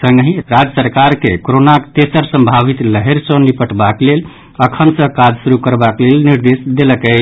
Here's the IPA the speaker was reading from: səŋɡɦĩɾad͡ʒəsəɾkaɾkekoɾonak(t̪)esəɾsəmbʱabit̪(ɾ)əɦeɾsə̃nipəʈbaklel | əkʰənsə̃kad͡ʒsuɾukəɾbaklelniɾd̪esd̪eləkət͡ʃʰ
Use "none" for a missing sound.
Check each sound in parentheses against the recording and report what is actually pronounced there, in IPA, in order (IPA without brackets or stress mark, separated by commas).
t̪, l